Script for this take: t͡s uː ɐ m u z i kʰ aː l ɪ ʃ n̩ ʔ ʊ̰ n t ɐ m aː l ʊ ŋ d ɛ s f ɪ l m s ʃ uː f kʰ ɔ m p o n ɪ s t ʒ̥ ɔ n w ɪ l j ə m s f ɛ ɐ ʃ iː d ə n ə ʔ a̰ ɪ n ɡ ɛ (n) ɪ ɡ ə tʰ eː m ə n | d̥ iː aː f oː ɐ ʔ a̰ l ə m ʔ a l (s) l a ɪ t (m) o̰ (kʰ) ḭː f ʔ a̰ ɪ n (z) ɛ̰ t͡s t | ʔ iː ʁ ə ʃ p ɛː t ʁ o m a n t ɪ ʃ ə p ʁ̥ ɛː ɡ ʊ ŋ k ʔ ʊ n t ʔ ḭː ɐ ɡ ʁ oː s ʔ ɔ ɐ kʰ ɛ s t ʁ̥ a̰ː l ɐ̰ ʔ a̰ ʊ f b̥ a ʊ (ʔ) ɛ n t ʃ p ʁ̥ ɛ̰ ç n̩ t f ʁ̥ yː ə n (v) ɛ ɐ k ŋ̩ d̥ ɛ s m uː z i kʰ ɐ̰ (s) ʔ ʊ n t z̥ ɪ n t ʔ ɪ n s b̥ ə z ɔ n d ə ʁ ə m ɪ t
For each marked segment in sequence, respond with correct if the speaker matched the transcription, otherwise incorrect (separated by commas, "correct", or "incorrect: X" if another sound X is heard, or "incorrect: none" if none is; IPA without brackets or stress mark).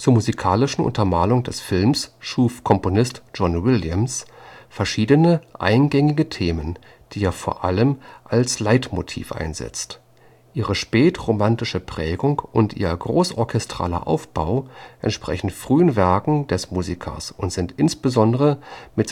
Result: incorrect: ŋ, correct, correct, incorrect: tʰ, correct, correct, correct, correct